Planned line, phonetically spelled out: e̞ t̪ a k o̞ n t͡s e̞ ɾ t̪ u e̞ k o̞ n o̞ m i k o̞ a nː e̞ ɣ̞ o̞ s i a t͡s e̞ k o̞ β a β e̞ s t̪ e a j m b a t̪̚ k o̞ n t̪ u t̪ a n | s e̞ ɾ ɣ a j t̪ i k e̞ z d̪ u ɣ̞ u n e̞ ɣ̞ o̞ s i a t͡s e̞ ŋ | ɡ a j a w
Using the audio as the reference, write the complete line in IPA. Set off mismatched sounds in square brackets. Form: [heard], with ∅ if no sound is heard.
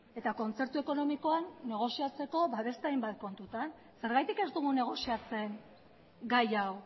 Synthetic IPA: e̞ t̪ a k o̞ n t͡s e̞ ɾ t̪ u e̞ k o̞ n o̞ m i k o̞ a nː e̞ ɣ̞ o̞ s i a t͡s e̞ k o̞ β a β e̞ s t̪ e a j m b a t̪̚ k o̞ n t̪ u t̪ a n | s e̞ ɾ ɣ a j t̪ i k e̞ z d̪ u ɣ̞ u n e̞ ɣ̞ o̞ s i a t͡s e̞ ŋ | ɡ a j a w